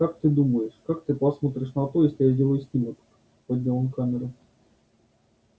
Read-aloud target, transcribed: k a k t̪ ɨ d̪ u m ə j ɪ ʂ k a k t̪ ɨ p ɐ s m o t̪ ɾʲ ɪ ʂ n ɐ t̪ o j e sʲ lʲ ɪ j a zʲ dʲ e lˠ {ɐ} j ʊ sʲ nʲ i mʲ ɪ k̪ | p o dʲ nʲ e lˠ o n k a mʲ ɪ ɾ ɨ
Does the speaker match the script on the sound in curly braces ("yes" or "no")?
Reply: no